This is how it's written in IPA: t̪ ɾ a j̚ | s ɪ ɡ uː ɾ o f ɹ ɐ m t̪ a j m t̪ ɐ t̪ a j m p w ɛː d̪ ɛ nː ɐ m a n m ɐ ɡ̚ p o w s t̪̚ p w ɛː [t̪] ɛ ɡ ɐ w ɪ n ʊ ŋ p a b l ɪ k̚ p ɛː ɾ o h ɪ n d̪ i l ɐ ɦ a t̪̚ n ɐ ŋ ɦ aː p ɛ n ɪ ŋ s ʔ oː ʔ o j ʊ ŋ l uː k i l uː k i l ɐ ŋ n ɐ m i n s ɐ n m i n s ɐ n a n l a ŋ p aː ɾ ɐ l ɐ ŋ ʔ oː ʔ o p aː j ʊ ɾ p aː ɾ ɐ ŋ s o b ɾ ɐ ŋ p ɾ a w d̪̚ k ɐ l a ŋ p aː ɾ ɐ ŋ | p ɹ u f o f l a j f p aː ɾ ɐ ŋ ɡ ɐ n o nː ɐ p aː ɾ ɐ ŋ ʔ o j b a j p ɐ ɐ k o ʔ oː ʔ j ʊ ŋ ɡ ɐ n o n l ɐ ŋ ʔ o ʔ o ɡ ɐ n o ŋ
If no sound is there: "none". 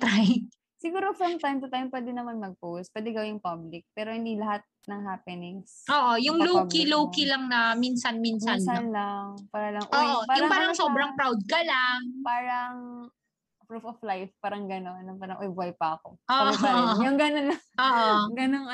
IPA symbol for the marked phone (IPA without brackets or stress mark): d̪